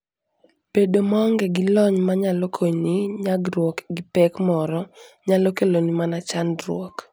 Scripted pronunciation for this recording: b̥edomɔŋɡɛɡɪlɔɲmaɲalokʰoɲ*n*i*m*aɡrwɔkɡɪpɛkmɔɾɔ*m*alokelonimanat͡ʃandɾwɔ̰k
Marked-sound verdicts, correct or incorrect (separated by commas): correct, incorrect, incorrect